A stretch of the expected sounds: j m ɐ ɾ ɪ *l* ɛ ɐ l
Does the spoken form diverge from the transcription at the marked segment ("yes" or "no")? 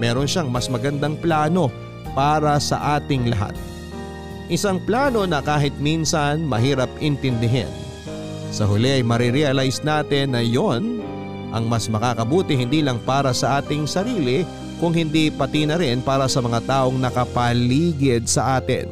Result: yes